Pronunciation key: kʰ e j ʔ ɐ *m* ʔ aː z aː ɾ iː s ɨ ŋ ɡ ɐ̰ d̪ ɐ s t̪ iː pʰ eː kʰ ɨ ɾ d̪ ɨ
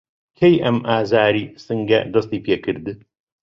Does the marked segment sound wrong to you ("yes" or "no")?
no